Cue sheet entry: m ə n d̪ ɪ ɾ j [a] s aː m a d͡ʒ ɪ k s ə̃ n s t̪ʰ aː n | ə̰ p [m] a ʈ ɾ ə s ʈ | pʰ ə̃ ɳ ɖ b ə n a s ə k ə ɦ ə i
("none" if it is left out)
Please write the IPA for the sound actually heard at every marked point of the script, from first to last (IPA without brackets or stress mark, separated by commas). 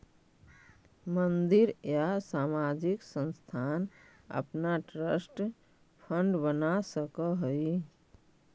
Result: a, n